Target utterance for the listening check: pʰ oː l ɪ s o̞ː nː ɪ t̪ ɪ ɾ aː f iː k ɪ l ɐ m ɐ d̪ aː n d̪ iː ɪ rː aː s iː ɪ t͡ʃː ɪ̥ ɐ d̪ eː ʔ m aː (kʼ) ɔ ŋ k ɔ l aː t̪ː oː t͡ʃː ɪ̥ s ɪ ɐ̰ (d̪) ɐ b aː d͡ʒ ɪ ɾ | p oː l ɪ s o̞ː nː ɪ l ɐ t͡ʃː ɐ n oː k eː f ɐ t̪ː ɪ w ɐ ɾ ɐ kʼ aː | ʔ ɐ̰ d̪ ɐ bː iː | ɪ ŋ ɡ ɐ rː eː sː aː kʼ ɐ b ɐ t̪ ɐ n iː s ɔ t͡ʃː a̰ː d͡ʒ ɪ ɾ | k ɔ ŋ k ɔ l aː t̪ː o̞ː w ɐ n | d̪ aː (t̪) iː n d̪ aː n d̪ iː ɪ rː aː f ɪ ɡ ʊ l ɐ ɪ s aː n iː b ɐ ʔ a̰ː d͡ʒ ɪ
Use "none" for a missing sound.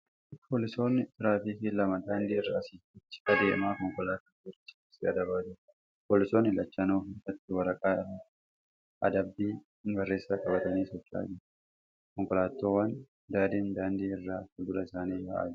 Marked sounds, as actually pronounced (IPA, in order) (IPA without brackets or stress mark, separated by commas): k, d̪, d̪